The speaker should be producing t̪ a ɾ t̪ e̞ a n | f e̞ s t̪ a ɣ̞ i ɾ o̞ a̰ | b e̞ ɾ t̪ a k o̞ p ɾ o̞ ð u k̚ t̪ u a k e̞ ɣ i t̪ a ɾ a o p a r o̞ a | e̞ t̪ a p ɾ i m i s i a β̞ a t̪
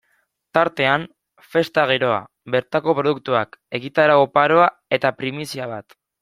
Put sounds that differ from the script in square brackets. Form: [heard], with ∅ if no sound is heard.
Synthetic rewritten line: t̪ a ɾ t̪ e̞ a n | f e̞ s t̪ a ɣ̞ i ɾ o̞ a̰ | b e̞ ɾ t̪ a k o̞ p ɾ o̞ ð u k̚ t̪ u a k e̞ ɣ i t̪ a ɾ a o p a [ɾ] o̞ a | e̞ t̪ a p ɾ i m i s i a β̞ a t̪